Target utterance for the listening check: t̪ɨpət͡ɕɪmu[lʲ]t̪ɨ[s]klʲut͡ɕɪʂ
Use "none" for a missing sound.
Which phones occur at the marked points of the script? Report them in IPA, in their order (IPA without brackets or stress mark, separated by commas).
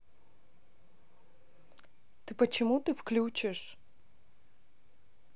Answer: none, f